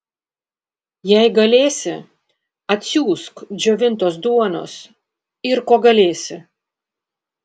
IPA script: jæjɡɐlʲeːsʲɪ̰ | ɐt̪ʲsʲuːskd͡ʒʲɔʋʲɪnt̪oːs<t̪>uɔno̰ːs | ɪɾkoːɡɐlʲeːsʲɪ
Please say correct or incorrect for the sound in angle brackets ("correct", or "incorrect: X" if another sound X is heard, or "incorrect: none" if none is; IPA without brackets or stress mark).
incorrect: d̪